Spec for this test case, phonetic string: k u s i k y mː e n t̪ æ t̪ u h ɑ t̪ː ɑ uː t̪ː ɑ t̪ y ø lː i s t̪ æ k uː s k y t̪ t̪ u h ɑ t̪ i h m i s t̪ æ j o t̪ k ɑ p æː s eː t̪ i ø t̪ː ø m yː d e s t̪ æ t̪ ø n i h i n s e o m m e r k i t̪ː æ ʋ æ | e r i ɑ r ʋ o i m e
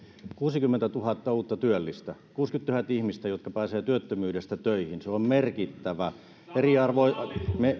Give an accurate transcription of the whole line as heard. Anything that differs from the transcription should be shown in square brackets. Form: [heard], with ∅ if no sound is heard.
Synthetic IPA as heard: k [uː] s i k y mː e n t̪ æ t̪ u h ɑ t̪ː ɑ uː t̪ː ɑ t̪ y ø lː i s t̪ æ k uː s k y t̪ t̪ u h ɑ t̪ i h m i s t̪ æ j o t̪ k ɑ p æː s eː t̪ [y] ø t̪ː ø m yː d e s t̪ æ t̪ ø [∅] i h i n s e o m m e r k i t̪ː æ ʋ æ | e r i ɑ r ʋ o i m e